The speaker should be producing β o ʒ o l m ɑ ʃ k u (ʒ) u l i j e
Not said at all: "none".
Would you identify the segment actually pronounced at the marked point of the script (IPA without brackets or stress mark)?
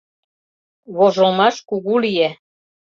ɣ